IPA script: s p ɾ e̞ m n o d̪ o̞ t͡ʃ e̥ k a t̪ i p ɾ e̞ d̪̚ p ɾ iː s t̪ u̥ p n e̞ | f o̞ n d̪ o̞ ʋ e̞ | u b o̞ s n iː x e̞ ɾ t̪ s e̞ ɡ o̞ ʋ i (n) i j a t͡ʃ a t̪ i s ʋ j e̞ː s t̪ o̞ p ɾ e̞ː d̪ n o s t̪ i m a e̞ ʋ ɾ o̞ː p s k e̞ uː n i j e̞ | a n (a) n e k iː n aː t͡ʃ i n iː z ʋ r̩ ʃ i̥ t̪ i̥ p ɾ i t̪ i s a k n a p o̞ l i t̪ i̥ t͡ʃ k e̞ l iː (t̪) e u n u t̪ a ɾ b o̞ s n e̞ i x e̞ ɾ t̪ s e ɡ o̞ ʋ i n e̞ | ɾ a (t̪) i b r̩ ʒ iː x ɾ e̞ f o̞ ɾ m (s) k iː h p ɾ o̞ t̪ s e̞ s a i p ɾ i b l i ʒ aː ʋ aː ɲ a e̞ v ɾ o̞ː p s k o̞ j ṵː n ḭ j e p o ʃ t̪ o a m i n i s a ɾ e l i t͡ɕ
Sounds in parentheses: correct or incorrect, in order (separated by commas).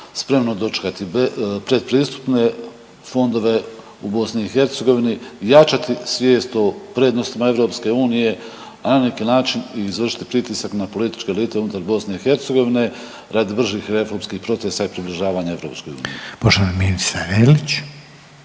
correct, correct, correct, incorrect, correct